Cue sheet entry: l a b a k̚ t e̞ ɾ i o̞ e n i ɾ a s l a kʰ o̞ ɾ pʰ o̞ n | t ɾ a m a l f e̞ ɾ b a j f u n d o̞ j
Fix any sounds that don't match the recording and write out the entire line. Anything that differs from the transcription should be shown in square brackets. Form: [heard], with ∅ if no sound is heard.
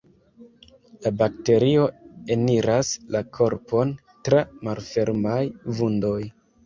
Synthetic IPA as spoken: l a b a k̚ t e̞ ɾ i o̞ e n i ɾ a s l a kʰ o̞ ɾ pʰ o̞ n | t ɾ a m a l f e̞ ɾ [m] a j [v] u n d o̞ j